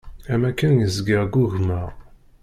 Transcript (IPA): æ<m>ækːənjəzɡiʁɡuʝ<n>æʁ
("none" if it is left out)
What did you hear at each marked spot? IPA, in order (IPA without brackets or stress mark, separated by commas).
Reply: m, m